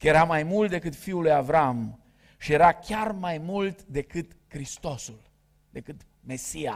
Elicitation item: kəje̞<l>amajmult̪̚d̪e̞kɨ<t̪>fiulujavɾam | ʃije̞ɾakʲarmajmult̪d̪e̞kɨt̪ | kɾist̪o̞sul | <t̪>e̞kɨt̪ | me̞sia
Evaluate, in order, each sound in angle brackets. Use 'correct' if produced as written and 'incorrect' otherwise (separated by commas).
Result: incorrect, correct, incorrect